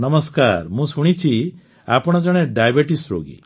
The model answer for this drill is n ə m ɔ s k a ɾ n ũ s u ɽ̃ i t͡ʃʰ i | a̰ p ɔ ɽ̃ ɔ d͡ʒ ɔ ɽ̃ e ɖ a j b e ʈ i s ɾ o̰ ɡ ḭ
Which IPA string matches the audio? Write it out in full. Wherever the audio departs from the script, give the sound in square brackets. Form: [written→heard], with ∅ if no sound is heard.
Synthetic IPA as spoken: n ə m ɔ s k a ɾ [n→m] ũ s u ɽ̃ i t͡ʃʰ i | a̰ p ɔ ɽ̃ ɔ d͡ʒ ɔ ɽ̃ e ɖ a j b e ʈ i s ɾ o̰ ɡ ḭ